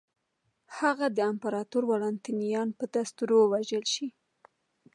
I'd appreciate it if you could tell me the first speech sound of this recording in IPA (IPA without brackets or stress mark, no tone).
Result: h